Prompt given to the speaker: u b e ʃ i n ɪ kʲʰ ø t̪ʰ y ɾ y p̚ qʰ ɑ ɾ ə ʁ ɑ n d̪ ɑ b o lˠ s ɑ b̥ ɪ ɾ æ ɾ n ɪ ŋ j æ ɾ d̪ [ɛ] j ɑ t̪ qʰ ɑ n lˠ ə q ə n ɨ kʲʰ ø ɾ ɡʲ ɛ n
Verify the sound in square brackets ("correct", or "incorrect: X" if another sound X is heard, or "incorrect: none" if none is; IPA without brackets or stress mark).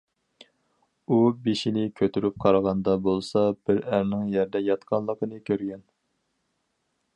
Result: correct